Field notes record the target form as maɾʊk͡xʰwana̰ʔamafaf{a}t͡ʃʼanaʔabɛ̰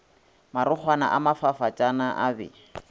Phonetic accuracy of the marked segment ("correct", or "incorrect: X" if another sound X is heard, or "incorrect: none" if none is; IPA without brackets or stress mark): correct